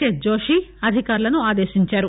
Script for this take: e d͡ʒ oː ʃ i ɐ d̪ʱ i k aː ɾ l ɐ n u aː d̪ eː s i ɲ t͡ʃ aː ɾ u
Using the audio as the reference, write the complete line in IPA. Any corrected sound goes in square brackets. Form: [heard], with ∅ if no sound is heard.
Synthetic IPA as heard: e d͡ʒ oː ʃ i ɐ d̪ʱ i k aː ɾ l ɐ n u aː d̪ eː [ʃ] i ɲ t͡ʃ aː ɾ u